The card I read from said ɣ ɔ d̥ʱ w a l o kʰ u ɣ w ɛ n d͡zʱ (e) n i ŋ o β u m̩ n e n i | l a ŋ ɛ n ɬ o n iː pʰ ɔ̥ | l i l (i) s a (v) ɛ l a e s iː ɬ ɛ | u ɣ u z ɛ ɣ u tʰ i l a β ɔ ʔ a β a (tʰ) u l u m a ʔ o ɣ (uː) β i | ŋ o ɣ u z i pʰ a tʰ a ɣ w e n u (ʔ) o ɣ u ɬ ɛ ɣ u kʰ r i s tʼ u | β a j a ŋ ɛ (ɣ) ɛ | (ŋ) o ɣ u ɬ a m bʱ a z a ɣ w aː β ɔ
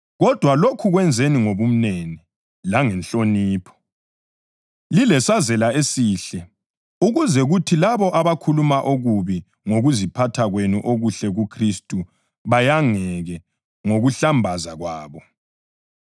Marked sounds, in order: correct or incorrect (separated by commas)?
correct, incorrect, incorrect, incorrect, incorrect, correct, correct, correct